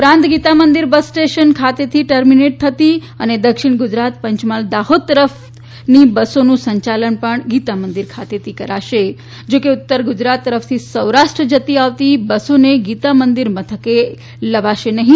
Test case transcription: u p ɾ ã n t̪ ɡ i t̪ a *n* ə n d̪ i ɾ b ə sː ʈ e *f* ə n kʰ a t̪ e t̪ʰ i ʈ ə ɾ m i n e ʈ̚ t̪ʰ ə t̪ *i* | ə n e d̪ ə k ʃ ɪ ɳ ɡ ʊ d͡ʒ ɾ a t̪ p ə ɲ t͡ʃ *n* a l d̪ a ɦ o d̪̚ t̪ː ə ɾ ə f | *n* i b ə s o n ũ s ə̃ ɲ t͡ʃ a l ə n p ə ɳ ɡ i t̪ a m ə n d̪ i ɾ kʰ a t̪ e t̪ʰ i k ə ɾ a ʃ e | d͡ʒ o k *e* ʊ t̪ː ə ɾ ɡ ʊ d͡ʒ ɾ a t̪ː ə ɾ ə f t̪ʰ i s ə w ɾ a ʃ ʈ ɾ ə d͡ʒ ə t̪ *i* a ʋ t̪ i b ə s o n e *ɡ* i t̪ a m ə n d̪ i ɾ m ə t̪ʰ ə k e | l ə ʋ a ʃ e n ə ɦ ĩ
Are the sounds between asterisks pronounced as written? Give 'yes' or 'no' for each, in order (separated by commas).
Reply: no, no, yes, no, yes, yes, yes, yes